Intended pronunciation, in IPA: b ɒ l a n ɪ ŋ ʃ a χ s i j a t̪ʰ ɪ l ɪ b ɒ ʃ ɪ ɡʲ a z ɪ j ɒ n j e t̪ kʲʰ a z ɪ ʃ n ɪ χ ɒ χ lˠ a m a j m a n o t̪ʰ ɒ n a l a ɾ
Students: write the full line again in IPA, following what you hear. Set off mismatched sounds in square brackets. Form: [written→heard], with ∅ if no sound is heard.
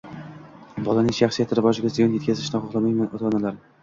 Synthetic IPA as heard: b ɒ l a n ɪ ŋ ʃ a χ s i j a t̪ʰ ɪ [l→ɾ] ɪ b ɒ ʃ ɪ ɡʲ a z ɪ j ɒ n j e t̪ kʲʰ a z ɪ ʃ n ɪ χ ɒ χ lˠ a m a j m a n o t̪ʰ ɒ n a l a ɾ